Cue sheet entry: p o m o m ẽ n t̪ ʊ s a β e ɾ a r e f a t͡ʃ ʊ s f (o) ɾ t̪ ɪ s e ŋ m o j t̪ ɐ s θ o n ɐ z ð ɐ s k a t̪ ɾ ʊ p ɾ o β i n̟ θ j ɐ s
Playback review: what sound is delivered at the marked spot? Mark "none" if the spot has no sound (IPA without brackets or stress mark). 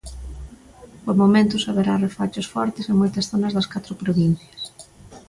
ɔ